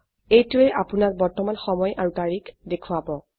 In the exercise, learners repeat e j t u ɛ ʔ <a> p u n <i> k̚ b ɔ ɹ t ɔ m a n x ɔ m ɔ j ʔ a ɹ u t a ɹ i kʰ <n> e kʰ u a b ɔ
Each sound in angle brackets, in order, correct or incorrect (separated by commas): correct, incorrect, incorrect